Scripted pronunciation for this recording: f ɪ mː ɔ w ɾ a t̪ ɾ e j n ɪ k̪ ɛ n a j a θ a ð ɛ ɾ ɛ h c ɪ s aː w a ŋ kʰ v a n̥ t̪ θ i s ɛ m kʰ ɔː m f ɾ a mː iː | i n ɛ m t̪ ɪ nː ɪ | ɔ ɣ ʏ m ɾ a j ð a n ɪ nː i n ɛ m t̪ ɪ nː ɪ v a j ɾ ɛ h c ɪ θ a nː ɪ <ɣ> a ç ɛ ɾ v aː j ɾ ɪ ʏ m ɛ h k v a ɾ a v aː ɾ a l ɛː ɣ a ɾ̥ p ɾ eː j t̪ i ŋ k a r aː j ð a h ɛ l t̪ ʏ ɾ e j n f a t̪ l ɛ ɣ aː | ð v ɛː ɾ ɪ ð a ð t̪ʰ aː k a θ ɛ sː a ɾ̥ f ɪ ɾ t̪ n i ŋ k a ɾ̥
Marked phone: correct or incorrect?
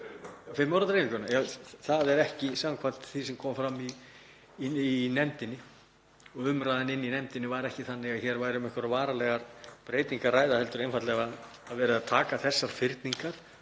correct